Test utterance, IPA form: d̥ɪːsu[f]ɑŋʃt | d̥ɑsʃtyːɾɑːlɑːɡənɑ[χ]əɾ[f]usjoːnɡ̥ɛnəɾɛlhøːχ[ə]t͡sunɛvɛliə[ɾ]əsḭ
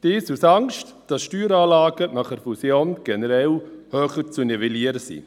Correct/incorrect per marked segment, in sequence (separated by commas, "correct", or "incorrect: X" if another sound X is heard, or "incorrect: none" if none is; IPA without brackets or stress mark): incorrect: s, correct, correct, correct, correct